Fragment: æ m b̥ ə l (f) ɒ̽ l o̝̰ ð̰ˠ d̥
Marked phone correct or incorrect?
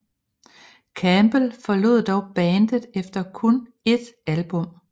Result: correct